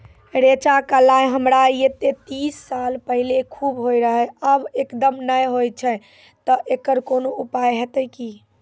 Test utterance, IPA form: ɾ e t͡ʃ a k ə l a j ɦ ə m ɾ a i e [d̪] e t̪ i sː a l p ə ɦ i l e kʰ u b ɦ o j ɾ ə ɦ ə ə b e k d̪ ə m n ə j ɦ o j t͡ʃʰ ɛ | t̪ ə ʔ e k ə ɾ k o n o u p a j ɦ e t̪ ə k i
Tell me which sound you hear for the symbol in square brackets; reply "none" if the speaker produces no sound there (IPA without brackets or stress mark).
t̪